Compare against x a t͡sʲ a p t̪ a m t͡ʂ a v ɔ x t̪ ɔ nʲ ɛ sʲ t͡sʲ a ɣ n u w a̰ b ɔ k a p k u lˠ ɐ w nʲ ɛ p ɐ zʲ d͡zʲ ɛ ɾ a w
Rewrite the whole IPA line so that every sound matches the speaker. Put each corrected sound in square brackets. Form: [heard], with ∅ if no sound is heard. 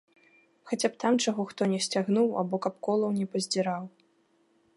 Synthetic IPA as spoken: x a t͡sʲ a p t̪ a m t͡ʂ a [ɣ] ɔ x t̪ ɔ nʲ ɛ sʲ t͡sʲ a ɣ n u w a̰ b ɔ k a p k [ɔ] lˠ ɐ w nʲ ɛ p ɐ zʲ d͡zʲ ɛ ɾ a w